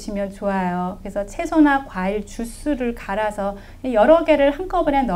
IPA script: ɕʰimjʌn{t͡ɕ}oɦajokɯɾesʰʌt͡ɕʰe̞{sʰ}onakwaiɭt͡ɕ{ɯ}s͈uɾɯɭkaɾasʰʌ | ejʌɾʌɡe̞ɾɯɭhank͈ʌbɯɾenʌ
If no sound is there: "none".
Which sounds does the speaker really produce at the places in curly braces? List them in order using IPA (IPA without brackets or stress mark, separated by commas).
t͡ɕ, sʰ, u